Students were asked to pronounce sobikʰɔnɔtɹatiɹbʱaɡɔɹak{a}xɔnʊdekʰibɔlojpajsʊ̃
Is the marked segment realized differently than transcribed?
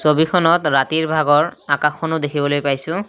no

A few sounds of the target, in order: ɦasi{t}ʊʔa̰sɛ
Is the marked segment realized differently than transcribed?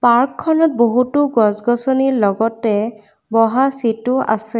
no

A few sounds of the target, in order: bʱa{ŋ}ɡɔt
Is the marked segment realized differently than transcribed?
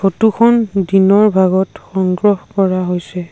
yes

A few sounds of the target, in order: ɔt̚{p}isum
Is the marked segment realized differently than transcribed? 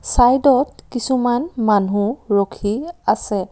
yes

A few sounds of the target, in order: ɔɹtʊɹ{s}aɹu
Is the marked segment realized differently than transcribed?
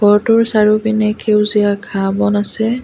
no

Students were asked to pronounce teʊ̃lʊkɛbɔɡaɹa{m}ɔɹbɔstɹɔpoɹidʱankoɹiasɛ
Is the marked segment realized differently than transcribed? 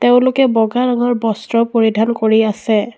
yes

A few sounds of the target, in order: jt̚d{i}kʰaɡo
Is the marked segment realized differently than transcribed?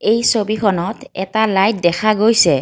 yes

